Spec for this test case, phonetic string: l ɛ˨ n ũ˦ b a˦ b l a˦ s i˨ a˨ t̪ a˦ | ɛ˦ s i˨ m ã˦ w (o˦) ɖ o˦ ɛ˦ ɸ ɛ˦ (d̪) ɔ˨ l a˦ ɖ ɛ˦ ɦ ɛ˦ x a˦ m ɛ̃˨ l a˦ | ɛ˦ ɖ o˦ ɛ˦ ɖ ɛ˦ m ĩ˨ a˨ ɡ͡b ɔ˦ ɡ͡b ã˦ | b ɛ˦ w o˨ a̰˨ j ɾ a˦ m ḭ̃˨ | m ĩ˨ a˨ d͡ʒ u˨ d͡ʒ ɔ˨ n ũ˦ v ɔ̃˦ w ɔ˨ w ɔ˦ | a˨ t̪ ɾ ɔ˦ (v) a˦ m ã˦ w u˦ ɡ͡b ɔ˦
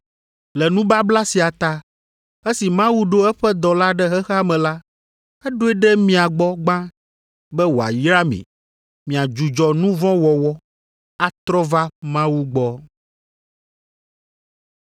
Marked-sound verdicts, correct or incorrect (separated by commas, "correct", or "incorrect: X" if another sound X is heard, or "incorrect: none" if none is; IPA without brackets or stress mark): incorrect: u˦, correct, correct